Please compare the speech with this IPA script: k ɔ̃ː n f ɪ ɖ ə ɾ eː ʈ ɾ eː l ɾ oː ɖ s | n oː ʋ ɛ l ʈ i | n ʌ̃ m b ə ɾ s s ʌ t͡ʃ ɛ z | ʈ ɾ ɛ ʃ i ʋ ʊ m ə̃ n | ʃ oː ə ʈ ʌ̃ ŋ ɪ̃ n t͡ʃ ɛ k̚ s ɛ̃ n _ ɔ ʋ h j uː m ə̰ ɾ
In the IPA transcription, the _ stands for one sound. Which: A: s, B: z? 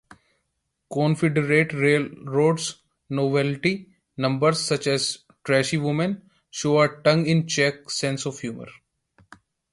A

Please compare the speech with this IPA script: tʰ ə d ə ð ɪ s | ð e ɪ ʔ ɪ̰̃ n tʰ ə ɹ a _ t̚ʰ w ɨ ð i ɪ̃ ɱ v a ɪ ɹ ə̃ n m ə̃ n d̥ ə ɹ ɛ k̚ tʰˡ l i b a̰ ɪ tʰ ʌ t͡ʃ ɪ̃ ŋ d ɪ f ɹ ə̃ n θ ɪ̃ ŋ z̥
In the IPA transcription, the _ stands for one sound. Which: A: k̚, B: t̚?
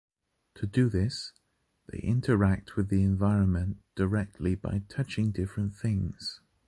A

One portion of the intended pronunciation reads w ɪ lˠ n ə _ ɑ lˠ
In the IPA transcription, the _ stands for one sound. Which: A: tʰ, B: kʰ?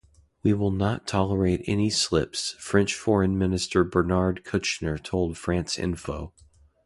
A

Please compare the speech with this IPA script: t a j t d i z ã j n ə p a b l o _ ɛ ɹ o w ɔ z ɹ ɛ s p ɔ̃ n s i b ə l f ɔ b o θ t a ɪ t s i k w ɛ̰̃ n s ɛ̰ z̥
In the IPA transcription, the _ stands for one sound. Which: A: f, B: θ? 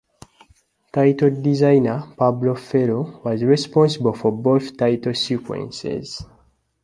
A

